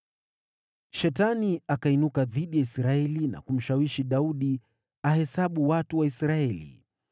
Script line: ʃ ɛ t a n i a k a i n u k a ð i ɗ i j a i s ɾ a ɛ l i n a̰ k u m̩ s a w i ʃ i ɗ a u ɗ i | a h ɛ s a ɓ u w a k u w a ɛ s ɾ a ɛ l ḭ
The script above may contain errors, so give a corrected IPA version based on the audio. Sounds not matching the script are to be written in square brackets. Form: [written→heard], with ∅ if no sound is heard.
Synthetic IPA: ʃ ɛ t a n i a k a i n u k a ð i ɗ i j a i s ɾ a ɛ l i n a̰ k u m̩ [s→ʃ] a w i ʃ i ɗ a u ɗ i | a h ɛ s a ɓ u w a [k→t] u w a [ɛ→i] s ɾ a ɛ l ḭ

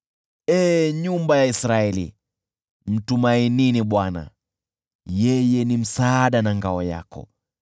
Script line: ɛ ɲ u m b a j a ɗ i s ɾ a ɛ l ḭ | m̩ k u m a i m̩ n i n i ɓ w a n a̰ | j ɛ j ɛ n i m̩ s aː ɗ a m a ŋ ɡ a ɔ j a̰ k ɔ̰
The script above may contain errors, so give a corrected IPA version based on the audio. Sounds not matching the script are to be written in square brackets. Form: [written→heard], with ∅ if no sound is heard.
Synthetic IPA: ɛ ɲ u m b a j a [ɗ→∅] i s ɾ a ɛ l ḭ | m̩ [k→t] u m a i [m̩→∅] n i n i ɓ w a n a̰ | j ɛ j ɛ n i m̩ s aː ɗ a [m→n] a ŋ ɡ a ɔ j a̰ k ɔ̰

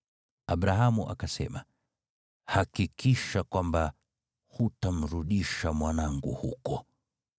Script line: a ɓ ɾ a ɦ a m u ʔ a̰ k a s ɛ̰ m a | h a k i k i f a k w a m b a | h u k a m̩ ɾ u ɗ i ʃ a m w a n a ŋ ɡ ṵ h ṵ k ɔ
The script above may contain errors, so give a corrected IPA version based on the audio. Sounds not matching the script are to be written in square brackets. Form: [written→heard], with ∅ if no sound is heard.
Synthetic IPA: a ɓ ɾ a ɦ a m u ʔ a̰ k a s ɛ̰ m a | h a k i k i [f→ʃ] a k w a m b a | h u [k→t] a m̩ ɾ u ɗ i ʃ a m w a n a ŋ ɡ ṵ h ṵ k ɔ

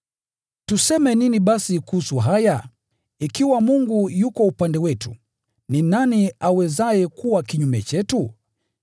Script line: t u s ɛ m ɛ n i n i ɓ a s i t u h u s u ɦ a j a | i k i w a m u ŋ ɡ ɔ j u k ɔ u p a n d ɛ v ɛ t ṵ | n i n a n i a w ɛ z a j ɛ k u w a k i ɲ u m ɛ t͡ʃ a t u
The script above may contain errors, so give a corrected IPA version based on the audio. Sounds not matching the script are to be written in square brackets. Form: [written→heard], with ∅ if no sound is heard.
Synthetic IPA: t u s ɛ m ɛ n i n i ɓ a s i [t→k] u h u s u ɦ a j a | i k i w a m u ŋ ɡ [ɔ→u] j u k ɔ u p a n d ɛ [v→w] ɛ t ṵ | n i n a n i a w ɛ z a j ɛ k u w a k i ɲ u m ɛ t͡ʃ [a→ɛ] t u

